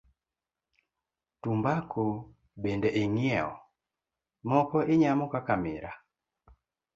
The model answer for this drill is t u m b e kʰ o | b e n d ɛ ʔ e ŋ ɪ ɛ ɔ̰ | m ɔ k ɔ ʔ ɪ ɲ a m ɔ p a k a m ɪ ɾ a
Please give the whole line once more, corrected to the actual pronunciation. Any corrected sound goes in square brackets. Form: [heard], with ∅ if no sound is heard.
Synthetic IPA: t u m b [a] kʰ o | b e n d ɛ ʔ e ŋ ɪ ɛ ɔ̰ | m ɔ k ɔ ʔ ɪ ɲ a m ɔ [k] a k a m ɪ ɾ a